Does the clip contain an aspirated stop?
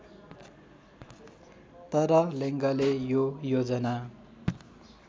no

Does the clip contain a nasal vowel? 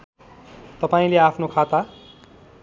yes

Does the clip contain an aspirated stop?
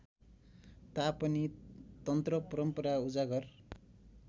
no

